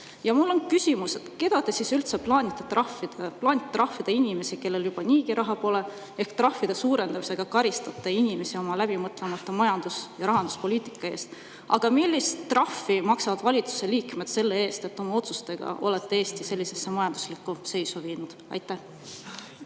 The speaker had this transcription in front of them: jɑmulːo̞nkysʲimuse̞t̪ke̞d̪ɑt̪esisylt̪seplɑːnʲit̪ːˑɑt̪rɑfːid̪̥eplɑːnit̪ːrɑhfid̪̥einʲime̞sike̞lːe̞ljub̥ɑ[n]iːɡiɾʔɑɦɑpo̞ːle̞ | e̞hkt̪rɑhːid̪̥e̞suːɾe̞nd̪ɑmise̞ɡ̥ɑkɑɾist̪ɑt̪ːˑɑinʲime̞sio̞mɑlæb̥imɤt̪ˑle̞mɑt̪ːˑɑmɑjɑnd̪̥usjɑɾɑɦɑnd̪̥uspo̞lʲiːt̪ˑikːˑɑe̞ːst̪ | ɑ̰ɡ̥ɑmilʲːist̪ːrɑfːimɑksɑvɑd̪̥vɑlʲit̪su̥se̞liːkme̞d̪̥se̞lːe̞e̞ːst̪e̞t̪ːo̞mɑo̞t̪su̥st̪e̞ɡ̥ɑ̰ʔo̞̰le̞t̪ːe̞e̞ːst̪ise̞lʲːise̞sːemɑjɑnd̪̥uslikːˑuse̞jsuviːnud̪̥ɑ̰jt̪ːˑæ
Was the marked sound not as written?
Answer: no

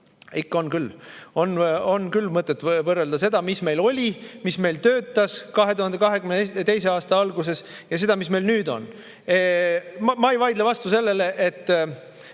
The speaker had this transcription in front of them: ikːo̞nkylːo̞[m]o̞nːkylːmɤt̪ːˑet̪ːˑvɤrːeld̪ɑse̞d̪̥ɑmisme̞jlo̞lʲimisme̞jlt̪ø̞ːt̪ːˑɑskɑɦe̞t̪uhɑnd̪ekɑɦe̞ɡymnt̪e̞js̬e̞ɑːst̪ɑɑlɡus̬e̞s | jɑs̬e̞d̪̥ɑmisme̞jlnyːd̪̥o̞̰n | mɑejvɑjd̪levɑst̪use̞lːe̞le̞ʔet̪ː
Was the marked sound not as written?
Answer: yes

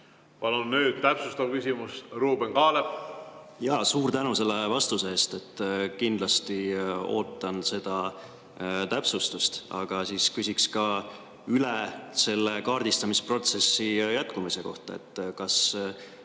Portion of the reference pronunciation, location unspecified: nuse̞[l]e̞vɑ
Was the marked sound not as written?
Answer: yes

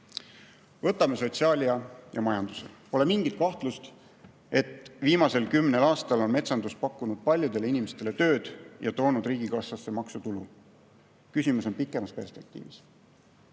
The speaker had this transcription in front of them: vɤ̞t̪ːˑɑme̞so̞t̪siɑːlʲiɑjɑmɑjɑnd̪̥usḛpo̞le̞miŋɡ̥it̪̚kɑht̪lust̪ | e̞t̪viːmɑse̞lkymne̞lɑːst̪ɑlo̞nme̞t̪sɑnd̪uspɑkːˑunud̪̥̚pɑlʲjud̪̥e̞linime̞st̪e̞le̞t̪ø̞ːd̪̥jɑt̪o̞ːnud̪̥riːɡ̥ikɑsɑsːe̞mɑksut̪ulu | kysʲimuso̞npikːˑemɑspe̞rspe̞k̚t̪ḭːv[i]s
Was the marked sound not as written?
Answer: no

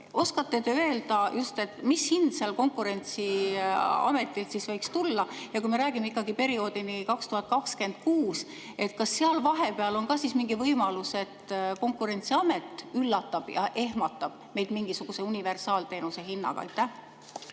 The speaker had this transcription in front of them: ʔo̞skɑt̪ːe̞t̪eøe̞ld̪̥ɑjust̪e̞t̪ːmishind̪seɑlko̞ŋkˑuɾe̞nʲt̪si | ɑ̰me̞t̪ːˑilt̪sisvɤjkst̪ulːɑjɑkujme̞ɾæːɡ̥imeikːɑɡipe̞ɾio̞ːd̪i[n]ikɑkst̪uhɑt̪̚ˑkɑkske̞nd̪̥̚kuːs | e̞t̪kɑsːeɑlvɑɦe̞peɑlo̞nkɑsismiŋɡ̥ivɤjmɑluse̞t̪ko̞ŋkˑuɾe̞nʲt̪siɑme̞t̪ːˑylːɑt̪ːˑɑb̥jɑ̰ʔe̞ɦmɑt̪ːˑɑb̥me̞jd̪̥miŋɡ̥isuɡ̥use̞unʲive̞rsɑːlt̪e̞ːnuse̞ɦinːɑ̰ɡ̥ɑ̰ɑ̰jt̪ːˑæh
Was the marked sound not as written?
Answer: no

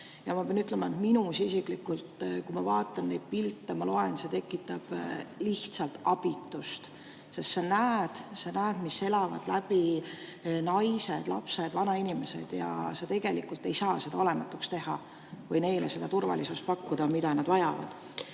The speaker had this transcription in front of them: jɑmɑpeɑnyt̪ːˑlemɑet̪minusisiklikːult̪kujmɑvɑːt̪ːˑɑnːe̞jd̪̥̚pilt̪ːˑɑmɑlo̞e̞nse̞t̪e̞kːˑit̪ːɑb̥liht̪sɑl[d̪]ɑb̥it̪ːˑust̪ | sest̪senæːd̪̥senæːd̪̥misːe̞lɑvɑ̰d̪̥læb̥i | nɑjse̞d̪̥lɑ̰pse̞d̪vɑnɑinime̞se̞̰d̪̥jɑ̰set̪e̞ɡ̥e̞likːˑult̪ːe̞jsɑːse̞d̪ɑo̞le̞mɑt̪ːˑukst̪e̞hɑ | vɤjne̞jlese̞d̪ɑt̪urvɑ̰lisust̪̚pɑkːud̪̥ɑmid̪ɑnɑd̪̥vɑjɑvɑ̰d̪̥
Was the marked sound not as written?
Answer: yes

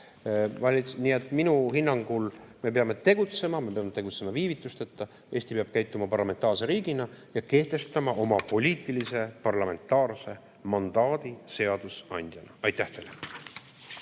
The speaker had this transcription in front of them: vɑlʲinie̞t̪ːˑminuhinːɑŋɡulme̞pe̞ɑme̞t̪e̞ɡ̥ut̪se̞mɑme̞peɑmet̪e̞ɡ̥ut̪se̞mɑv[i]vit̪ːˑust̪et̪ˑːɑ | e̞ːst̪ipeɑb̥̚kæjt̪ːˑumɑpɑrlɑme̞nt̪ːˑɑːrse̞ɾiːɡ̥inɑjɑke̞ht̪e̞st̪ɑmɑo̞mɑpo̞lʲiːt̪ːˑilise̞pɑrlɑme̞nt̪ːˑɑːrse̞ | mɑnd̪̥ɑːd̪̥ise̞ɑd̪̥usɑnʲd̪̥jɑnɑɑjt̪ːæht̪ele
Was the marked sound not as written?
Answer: yes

